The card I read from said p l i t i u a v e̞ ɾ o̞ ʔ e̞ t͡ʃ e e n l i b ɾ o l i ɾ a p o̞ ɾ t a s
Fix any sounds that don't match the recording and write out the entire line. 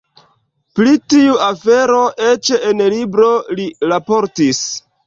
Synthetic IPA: p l i t i u a f e̞ ɾ o̞ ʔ e̞ t͡ʃ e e n l i b ɾ o l i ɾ a p o̞ ɾ t i s